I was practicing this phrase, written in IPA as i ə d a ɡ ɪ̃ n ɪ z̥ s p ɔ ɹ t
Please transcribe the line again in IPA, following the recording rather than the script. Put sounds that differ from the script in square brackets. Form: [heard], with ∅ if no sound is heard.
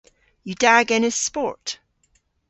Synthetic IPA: [j] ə d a ɡ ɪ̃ n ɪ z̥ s p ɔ ɹ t